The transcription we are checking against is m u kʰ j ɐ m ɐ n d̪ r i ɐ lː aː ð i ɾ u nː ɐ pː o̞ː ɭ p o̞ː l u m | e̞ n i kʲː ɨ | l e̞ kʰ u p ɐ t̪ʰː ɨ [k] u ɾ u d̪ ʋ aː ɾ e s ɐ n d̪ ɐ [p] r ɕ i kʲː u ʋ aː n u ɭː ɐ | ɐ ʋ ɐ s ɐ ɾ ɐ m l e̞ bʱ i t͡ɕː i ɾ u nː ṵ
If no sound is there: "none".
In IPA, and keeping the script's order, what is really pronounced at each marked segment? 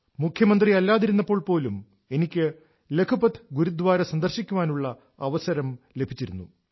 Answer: ɡ, none

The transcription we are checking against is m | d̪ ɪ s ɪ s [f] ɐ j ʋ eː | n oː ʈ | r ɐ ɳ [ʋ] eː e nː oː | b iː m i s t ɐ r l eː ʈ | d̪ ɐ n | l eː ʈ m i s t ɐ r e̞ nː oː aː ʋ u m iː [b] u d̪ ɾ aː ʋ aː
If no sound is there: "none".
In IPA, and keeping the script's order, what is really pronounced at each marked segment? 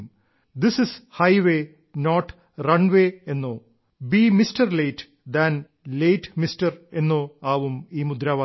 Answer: h, ʋ, m

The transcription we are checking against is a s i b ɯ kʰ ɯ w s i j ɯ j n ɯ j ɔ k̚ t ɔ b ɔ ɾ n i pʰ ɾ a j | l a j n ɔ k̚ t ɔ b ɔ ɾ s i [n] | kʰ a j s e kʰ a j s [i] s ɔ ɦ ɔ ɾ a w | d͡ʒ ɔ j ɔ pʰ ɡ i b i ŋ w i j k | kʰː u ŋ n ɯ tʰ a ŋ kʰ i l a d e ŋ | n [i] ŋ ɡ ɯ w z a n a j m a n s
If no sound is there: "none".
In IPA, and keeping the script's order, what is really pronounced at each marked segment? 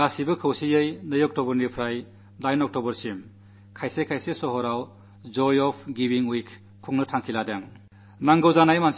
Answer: m, e, a

